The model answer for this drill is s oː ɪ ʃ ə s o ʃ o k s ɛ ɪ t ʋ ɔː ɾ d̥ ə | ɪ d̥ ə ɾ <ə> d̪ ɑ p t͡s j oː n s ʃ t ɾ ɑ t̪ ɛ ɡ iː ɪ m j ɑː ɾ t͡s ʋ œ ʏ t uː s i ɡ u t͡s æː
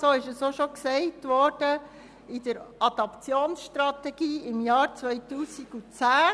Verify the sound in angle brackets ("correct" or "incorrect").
incorrect